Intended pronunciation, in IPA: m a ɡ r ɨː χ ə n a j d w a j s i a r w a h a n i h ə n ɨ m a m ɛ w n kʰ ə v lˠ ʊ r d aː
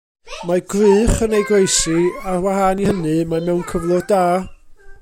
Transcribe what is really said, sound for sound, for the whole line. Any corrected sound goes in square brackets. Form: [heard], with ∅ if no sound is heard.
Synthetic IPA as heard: m a ɡ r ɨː χ ə n [e] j [ɡ] w [e] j s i a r w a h a n i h ə n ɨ m a m ɛ w n kʰ ə v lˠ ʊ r d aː